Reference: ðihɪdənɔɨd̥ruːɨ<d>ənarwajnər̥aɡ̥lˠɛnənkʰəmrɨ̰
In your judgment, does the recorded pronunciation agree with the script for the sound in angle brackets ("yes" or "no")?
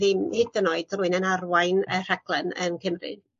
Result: no